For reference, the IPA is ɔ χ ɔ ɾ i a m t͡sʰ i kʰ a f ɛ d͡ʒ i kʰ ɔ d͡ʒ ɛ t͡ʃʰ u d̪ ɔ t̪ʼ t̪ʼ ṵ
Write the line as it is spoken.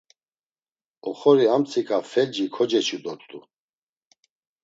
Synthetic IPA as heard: ɔ χ ɔ ɾ i a m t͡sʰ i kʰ a f ɛ d͡ʒ i kʰ ɔ d͡ʒ ɛ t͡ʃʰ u d̪ ɔ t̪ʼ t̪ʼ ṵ